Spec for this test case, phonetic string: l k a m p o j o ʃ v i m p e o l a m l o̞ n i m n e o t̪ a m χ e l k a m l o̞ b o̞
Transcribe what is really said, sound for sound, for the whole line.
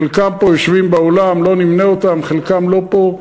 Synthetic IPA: l k a m p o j o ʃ v i m b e o l a m l o̞ n i m n e o t̪ a m χ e l k a m l o̞ p o̞